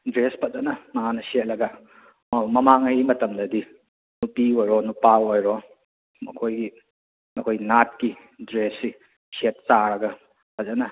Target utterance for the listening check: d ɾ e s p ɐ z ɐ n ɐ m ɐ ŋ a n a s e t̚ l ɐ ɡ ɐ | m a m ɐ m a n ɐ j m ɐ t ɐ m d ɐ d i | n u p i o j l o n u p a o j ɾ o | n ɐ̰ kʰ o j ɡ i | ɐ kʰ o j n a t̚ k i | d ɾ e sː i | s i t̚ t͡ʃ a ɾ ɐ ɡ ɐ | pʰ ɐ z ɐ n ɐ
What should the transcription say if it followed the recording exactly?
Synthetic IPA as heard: d ɾ e s p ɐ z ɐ n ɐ m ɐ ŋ a n ɐ s e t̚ l ɐ ɡ ɐ | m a m ɐ m a ŋ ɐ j m ɐ t ɐ m d ɐ d i | n u p i o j ɾ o n u p a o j ɾ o | m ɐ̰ kʰ o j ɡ i | ɐ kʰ o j n a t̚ k i | d ɾ e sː i | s e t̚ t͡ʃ a ɾ ɐ ɡ ɐ | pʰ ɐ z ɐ n ɐ